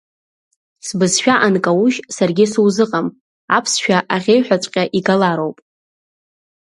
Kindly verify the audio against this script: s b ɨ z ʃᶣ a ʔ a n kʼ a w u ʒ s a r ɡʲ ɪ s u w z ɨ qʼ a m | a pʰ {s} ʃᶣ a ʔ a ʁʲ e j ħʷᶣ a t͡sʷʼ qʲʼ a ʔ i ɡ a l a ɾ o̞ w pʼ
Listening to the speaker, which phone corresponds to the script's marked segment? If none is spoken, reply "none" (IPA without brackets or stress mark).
s